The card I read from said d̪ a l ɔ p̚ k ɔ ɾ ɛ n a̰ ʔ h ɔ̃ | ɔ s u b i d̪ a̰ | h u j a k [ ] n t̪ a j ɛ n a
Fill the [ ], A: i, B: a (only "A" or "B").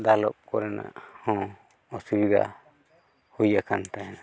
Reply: B